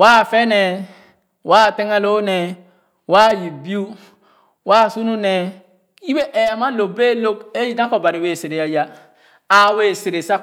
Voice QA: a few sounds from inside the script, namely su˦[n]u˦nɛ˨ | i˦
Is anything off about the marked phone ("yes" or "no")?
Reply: no